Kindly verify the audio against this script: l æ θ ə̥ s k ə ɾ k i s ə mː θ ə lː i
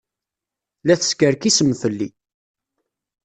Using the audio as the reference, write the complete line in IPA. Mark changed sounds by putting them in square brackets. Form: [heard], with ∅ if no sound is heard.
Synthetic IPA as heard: l æ θ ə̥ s k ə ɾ k i s ə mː θ ə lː i